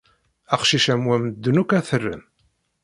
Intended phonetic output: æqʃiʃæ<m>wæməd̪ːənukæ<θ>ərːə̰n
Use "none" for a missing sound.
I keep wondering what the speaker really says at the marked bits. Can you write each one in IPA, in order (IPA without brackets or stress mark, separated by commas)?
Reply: m, θ